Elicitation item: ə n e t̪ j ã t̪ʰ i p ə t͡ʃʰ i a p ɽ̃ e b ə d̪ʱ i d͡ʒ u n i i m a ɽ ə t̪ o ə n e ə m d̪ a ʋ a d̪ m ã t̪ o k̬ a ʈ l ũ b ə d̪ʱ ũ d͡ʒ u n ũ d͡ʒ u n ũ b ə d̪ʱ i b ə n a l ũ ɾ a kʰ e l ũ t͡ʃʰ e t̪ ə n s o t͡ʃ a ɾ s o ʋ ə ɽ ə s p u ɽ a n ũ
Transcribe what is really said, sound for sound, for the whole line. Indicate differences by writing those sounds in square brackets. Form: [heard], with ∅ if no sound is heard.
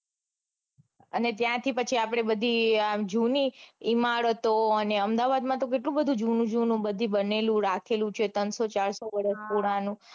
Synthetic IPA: ə n e t̪ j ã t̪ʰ i p ə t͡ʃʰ i a p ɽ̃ e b ə d̪ʱ i d͡ʒ u n i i m a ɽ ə t̪ o ə n e ə m d̪ a ʋ a d̪ m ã t̪ o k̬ [e] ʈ l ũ b ə d̪ʱ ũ d͡ʒ u n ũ d͡ʒ u n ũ b ə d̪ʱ i b ə n [e] l ũ ɾ a kʰ e l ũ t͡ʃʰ e t̪ ə n s o t͡ʃ a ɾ s o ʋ ə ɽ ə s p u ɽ a n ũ